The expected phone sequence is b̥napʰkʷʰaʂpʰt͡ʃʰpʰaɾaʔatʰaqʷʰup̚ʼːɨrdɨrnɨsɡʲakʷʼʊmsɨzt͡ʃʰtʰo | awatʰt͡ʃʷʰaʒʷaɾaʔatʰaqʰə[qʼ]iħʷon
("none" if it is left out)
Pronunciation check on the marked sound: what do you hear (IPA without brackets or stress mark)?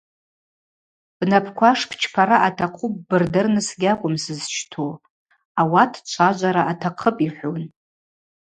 pʼ